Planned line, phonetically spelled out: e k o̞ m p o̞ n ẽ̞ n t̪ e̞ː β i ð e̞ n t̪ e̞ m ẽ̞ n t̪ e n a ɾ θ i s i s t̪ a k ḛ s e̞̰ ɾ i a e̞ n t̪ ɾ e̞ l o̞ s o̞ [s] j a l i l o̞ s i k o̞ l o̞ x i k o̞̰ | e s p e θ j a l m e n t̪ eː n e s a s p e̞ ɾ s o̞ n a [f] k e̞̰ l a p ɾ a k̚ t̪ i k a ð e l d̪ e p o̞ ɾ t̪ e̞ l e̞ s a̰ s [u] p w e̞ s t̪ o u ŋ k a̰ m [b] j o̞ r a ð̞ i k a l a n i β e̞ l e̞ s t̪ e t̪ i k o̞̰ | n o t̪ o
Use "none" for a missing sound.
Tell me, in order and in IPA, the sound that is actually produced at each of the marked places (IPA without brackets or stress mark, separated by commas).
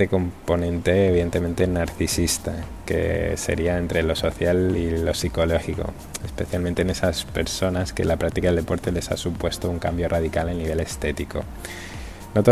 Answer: θ, s, u, b